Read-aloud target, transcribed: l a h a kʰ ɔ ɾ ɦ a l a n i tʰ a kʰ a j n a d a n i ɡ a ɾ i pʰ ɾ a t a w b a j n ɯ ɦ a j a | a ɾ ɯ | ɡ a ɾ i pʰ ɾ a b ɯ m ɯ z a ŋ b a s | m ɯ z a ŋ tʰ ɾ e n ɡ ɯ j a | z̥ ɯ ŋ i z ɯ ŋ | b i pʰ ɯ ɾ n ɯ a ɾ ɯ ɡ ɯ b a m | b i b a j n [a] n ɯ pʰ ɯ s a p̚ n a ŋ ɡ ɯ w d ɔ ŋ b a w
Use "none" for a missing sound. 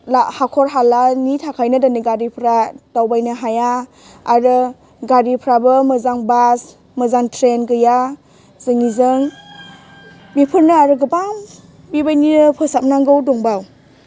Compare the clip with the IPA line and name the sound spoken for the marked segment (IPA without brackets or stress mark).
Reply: i